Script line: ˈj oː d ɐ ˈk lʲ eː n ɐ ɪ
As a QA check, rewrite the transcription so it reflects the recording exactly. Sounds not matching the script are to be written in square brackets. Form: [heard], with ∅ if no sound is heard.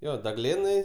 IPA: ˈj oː d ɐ [ˈɡ] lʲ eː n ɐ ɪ